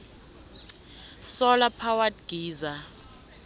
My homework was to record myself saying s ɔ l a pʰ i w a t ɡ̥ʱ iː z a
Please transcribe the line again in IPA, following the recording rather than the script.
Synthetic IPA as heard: s ɔ l a pʰ a w a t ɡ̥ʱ iː z a